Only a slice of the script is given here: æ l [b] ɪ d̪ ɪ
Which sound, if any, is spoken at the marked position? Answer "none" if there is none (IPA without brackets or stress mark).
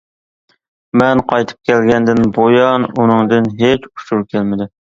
m